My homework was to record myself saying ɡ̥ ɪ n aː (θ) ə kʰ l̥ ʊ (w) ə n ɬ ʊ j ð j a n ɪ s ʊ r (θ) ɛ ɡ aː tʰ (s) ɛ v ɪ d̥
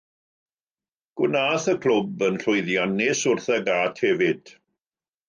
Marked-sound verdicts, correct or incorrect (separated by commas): correct, incorrect, correct, incorrect